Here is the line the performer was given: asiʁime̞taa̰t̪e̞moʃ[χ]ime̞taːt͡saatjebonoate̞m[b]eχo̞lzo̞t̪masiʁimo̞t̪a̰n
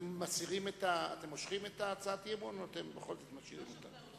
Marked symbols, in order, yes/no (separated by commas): yes, yes